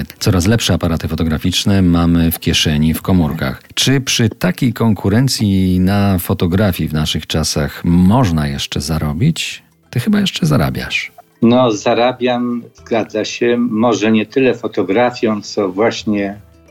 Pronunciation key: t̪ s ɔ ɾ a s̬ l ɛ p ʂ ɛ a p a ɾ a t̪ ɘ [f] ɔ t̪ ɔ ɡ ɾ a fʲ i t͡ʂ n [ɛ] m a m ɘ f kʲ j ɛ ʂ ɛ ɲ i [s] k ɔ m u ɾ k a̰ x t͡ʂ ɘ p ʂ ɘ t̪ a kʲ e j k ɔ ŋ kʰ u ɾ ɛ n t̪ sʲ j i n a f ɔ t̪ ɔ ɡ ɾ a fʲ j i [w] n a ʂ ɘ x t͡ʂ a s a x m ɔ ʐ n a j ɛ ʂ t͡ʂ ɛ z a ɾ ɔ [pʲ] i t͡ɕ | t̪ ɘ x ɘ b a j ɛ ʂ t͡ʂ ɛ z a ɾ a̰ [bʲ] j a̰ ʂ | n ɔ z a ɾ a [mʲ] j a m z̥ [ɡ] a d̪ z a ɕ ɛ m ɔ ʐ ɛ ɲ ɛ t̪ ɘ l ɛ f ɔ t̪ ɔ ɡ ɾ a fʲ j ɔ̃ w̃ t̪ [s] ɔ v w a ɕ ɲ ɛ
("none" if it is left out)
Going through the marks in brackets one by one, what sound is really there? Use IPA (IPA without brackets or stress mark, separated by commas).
f, ɛ, f, v, bʲ, bʲ, bʲ, ɡ, s